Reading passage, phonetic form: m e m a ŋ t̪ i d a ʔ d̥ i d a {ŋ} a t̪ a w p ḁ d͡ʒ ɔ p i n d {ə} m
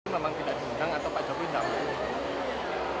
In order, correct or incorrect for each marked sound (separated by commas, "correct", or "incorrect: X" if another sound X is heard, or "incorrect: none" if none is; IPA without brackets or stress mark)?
correct, incorrect: a